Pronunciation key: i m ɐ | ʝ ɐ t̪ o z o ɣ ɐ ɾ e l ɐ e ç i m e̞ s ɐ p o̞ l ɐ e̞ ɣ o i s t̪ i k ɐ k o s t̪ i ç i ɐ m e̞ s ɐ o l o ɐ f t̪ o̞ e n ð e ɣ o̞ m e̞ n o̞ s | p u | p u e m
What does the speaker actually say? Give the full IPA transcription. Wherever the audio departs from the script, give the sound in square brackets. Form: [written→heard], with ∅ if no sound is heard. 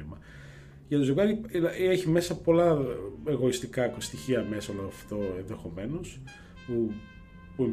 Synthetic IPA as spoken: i m ɐ | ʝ ɐ t̪ o z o ɣ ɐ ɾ [e→i] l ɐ e ç i m e̞ s ɐ p o̞ l ɐ e̞ ɣ o i s t̪ i k ɐ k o s t̪ i ç i ɐ m e̞ s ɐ o l o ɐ f t̪ o̞ e n ð e [ɣ→x] o̞ m e̞ n o̞ s | p u | p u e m